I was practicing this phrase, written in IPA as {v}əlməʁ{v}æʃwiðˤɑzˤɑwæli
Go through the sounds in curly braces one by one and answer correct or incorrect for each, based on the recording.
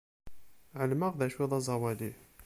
incorrect: ʕ, incorrect: ð

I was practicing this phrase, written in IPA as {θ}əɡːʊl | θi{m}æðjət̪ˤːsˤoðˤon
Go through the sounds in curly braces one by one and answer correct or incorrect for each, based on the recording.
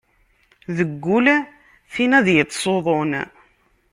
incorrect: ð, incorrect: n

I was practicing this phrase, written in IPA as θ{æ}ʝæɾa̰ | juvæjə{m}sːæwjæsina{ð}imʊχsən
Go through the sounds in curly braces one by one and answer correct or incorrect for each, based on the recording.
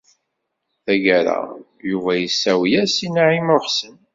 correct, incorrect: none, incorrect: ʕ

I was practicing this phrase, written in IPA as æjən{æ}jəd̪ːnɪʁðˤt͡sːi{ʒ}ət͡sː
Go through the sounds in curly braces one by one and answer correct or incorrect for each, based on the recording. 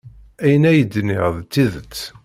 correct, incorrect: ð

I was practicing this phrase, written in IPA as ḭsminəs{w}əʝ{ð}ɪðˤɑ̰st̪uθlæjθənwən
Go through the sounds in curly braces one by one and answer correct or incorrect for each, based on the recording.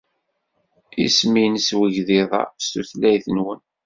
correct, correct

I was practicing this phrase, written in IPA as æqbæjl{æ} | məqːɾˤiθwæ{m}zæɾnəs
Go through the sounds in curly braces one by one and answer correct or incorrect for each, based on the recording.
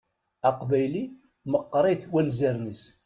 incorrect: i, incorrect: n

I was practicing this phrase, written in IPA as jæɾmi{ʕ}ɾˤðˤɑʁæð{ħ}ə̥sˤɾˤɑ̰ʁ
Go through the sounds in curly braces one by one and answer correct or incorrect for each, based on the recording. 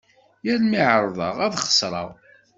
correct, incorrect: χ

